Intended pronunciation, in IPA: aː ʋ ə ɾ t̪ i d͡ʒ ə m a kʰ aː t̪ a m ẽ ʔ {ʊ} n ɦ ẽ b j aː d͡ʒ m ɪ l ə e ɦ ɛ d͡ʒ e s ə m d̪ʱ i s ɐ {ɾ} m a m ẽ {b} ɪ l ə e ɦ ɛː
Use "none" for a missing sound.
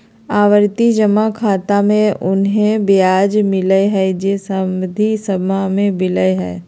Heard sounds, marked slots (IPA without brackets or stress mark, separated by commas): ʊ, none, b